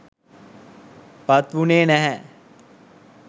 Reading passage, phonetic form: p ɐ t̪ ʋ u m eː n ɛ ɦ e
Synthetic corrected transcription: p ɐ t̪ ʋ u n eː n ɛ ɦ ɛ